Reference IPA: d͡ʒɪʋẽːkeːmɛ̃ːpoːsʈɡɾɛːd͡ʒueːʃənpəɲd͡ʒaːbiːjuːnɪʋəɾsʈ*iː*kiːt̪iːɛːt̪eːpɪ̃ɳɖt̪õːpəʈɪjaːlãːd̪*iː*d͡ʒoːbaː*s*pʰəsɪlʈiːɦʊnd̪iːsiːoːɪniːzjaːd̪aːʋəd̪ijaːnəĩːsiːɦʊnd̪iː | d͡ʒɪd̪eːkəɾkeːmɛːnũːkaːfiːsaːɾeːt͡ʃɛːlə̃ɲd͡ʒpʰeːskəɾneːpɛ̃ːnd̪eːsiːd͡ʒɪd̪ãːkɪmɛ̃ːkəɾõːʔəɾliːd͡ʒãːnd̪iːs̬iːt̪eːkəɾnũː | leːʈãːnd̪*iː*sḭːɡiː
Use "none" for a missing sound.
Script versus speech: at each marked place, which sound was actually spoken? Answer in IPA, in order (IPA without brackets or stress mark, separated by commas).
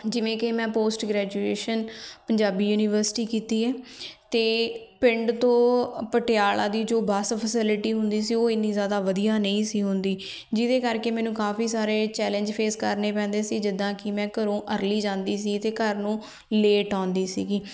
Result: iː, iː, s, iː